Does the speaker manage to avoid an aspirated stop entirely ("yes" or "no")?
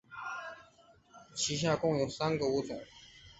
no